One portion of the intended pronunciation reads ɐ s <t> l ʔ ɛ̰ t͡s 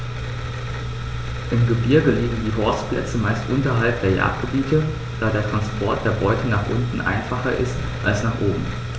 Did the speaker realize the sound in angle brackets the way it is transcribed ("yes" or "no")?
no